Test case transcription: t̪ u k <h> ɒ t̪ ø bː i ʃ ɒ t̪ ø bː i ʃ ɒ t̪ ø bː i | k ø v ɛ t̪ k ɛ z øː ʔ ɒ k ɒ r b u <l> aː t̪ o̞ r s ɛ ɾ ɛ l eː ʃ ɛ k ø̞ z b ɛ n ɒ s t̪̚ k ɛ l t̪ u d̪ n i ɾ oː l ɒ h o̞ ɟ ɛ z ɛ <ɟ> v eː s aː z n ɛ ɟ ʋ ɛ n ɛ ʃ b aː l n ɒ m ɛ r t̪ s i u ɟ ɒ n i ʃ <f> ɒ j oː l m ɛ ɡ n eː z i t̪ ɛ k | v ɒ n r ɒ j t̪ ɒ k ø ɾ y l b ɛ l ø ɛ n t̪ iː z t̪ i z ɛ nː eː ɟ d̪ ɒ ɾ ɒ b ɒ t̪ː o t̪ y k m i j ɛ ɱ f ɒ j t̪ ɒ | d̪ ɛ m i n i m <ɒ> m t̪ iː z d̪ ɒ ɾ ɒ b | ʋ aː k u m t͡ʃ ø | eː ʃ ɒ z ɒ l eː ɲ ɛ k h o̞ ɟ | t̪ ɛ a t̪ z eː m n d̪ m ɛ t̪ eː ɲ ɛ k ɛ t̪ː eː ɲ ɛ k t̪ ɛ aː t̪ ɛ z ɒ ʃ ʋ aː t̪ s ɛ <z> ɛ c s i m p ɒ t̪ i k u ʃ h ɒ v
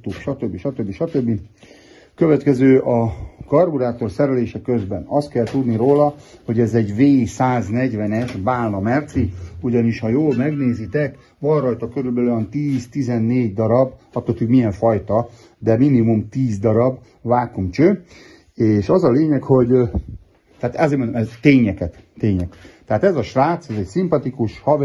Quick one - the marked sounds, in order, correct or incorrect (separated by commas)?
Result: incorrect, incorrect, correct, incorrect, incorrect, correct